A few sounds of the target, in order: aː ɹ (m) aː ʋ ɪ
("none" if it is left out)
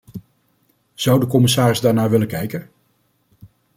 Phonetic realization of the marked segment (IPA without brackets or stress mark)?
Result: n